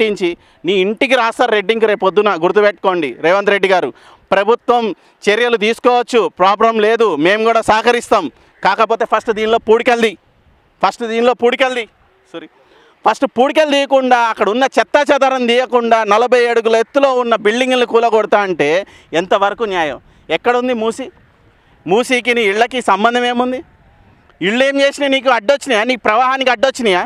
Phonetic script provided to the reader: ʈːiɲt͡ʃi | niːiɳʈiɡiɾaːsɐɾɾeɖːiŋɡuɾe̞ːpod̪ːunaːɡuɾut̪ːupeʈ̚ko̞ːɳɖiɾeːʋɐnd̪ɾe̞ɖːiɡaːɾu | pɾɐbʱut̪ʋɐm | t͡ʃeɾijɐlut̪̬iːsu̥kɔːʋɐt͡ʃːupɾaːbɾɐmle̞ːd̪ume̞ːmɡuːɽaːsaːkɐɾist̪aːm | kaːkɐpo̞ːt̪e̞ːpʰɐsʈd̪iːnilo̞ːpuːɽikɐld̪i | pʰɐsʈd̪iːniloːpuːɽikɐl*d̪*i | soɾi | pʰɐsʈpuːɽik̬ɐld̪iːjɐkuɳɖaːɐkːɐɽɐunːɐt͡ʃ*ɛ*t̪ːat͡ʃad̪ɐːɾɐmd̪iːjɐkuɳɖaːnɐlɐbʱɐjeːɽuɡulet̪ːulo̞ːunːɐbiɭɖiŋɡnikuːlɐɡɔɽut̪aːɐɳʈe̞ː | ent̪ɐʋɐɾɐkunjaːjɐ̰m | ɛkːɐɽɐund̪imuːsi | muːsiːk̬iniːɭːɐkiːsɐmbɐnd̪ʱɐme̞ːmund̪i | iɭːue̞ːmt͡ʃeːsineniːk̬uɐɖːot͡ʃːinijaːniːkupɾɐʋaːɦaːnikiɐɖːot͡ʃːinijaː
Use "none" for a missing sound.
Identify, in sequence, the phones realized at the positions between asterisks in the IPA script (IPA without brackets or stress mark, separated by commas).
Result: d̪, ɛ